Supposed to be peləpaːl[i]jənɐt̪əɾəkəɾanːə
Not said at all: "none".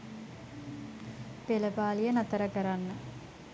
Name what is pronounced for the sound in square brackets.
i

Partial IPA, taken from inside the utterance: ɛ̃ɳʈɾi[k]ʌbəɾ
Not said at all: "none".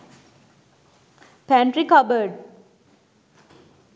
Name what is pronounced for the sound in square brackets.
k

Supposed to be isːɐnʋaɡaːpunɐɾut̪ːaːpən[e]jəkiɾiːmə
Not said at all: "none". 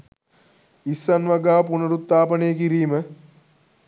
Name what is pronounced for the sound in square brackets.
e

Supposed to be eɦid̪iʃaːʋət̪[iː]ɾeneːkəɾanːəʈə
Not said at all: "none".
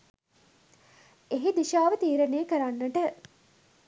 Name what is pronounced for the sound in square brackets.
iː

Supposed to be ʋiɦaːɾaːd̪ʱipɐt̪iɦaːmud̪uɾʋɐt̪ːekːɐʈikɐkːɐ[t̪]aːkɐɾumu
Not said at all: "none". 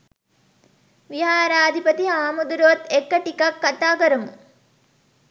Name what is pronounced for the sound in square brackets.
t̪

